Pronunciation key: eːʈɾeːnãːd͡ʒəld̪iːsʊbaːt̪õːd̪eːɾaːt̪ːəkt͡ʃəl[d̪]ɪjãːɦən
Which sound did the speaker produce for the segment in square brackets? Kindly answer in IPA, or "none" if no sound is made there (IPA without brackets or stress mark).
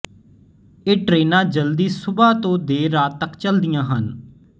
d̪